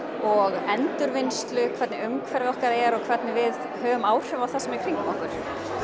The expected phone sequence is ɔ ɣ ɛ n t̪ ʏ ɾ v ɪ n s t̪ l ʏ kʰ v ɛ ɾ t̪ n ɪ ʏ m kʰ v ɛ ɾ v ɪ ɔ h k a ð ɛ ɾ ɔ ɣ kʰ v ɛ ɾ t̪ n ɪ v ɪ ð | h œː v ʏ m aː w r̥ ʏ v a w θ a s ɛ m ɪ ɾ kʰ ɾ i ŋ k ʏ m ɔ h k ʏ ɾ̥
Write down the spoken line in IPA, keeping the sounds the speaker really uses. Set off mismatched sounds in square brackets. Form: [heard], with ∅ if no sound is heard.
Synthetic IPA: ɔ ɣ ɛ n t̪ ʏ ɾ v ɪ n s t̪ l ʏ kʰ v ɛ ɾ t̪ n ɪ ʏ m kʰ v ɛ ɾ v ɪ ɔ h k a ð ɛ ɾ ɔ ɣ kʰ v ɛ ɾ t̪ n ɪ v ɪ ð | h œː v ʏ m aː w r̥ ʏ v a w θ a s ɛ m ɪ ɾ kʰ ɾ i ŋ k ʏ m ɔ h k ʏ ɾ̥